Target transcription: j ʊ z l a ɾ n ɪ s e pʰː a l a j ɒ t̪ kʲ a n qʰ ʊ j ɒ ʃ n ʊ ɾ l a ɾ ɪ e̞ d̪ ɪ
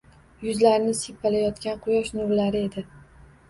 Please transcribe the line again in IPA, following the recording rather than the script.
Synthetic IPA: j ʊ z l a ɾ n ɪ s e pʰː a l a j ɒ t̪ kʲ a n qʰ ʊ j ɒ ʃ n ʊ ɾ l a ɾ ɪ e̞ d̪ ɪ